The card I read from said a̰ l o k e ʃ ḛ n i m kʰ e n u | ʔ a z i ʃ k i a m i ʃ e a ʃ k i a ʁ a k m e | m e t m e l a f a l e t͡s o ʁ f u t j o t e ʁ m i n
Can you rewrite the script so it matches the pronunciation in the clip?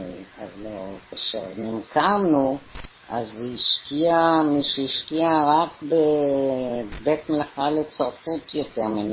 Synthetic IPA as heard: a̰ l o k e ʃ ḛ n i m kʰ a n u | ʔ a z i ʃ k i a m i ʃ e i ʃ k i a ʁ a k b e | b e t m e l a χ a l e t͡s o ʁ f u t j o t e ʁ m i n